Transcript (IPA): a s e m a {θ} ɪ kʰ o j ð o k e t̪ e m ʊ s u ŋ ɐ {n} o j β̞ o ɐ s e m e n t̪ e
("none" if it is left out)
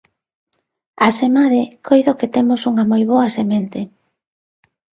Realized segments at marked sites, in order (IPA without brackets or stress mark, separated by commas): ð, m